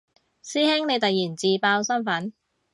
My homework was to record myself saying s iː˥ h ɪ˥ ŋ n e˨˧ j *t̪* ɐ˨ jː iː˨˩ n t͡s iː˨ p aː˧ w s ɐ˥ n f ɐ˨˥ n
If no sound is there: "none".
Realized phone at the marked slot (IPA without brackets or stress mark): t̪